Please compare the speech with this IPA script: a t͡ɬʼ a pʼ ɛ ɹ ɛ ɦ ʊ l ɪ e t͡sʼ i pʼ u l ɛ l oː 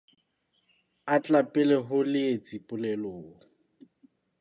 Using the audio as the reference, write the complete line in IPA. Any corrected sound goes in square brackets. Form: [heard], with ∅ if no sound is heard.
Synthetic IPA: a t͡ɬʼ a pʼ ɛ [l] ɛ ɦ ʊ l ɪ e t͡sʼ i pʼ [ʊ] l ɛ l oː